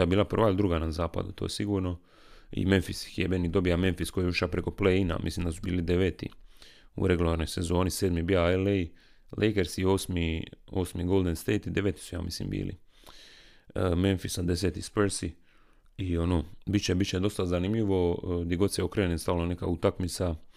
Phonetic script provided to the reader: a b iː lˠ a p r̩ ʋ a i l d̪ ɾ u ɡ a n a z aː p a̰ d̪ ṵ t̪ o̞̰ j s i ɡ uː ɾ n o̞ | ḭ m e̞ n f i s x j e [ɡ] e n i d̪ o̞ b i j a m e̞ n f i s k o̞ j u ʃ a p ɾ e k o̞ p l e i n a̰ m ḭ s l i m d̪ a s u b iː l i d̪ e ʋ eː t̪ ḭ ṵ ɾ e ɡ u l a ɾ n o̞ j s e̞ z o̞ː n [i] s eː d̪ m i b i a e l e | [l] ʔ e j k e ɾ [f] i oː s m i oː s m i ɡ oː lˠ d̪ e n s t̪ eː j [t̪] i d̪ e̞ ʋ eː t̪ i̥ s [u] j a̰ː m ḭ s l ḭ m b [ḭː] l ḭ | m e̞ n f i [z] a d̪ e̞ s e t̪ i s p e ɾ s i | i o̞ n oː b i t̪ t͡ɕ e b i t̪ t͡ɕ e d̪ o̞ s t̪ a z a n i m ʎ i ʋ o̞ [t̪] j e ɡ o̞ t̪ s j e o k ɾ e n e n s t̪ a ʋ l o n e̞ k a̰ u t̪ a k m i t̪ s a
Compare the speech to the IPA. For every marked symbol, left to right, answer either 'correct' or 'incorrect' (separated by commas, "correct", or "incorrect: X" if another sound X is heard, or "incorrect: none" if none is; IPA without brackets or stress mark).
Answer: incorrect: b, correct, correct, incorrect: s, correct, correct, correct, incorrect: s, incorrect: d̪